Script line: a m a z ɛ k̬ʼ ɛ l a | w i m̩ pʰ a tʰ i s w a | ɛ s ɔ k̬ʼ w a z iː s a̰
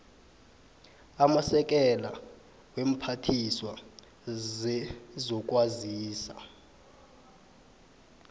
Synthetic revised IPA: a m a s ɛ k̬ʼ ɛ l a | w e m̩ pʰ a tʰ i s w a | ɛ z ɔ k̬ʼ w a z iː s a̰